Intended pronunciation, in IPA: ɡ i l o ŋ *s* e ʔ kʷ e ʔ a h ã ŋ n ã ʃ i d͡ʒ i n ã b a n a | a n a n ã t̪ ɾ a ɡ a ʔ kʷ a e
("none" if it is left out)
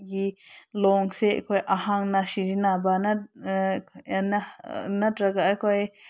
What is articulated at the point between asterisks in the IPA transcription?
s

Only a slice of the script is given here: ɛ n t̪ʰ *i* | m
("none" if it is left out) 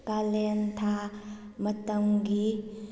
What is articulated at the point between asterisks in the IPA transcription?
a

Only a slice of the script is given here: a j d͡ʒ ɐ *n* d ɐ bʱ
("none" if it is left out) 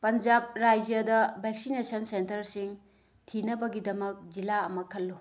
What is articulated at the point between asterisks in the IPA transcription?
none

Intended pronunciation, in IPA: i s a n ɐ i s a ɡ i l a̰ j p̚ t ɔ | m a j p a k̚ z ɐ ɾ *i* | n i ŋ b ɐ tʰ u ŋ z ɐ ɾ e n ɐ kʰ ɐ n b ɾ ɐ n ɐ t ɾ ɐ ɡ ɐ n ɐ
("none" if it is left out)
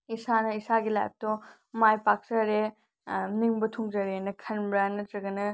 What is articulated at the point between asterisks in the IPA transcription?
e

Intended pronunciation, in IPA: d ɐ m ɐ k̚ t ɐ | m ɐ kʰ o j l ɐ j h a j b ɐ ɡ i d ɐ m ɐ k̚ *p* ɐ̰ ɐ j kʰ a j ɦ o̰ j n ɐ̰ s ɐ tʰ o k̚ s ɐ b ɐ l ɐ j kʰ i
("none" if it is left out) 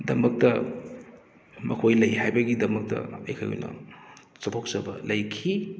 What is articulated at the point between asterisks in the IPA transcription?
t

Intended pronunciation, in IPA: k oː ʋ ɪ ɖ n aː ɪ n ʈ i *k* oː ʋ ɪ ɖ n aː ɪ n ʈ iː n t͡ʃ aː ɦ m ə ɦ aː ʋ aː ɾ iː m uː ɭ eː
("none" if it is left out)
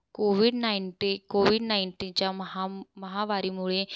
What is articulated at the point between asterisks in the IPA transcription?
k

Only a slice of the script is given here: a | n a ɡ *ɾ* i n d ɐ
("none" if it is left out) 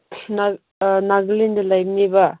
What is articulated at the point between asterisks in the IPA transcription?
l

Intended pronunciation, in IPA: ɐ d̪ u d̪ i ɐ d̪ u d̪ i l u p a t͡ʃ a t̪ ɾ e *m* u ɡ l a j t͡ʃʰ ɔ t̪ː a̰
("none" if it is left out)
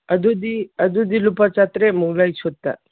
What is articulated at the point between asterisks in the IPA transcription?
m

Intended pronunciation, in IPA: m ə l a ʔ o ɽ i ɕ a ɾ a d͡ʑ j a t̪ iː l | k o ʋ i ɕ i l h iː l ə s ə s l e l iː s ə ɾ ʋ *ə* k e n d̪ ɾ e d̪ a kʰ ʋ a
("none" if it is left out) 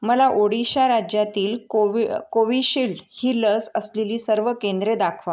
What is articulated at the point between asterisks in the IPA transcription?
ə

